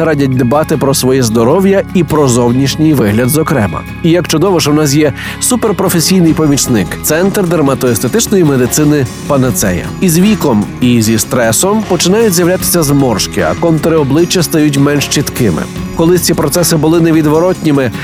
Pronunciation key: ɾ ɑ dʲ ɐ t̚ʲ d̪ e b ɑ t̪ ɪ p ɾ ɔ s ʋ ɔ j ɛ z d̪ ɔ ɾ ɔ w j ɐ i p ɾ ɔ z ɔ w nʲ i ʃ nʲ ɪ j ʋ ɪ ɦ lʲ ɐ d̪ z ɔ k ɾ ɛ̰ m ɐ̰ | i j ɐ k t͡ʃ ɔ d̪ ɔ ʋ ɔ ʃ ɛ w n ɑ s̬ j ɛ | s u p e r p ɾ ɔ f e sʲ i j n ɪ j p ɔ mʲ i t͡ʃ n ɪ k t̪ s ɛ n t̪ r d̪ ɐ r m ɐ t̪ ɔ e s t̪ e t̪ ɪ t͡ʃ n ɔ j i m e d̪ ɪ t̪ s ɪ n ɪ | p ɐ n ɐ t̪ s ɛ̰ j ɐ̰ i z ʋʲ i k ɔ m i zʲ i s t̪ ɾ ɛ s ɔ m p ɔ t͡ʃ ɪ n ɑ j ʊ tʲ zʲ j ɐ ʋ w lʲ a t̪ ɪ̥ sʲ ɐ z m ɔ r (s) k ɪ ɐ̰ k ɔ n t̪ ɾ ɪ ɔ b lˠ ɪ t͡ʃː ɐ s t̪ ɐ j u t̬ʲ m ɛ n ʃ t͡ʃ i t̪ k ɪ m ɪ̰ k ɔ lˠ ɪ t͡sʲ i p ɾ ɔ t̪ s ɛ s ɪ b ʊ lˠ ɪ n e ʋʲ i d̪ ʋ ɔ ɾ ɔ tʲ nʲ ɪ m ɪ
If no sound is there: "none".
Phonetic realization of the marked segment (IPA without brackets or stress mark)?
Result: ʃ